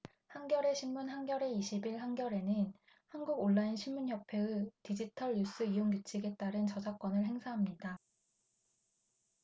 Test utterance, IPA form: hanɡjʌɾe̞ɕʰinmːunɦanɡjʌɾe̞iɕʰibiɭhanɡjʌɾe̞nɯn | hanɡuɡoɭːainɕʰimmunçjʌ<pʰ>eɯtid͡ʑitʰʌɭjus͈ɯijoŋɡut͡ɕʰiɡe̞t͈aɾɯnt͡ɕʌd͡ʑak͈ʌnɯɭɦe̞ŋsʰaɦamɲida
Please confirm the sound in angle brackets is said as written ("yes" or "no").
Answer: yes